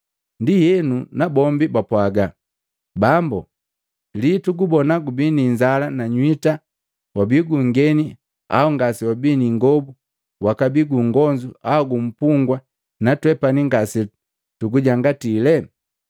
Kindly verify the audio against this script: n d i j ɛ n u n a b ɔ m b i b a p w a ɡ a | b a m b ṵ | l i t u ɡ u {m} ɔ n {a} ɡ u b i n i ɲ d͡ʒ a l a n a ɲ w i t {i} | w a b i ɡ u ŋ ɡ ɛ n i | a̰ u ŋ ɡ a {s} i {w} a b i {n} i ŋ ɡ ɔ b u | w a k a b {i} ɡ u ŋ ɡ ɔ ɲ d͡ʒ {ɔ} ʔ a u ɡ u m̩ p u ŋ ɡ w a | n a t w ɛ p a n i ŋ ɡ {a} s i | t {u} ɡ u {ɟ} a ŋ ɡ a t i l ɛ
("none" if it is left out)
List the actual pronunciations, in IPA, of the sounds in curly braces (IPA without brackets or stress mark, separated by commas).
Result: b, a, a, s, w, n, i, u, a, u, ɟ